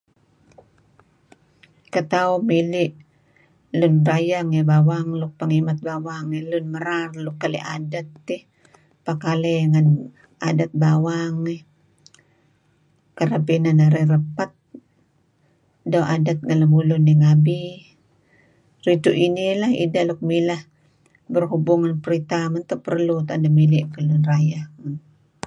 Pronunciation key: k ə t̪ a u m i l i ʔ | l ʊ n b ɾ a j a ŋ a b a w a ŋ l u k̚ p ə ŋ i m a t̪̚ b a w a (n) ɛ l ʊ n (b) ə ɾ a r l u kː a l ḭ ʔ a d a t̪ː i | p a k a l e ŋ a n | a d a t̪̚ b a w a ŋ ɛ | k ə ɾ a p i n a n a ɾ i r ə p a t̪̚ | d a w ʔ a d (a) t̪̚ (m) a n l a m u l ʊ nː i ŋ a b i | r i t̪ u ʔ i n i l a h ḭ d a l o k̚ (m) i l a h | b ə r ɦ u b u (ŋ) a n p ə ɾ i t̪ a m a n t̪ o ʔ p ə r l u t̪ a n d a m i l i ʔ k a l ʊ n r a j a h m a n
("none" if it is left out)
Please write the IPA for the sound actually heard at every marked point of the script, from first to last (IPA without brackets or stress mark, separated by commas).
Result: ŋ, m, a, ŋ, m, ŋ